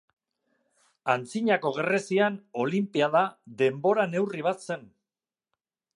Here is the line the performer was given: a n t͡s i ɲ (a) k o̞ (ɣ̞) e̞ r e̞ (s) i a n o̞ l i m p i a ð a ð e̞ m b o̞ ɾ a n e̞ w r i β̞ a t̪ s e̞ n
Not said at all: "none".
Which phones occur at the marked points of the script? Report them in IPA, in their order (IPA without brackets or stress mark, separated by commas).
a, ɣ̞, s